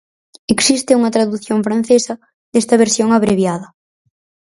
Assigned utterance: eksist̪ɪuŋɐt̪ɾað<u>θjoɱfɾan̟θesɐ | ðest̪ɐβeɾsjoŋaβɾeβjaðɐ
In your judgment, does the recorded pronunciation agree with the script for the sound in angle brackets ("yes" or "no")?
yes